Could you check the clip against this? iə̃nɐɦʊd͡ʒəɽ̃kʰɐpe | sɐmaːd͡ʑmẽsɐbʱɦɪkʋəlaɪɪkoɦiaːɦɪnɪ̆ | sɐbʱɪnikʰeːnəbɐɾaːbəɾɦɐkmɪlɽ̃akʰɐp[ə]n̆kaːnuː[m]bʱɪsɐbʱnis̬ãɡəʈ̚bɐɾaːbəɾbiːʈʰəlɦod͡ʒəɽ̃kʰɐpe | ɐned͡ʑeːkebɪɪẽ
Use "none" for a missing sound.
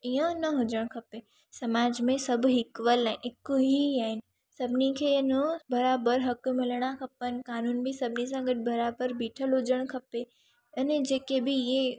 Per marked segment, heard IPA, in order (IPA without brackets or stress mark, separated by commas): ə, n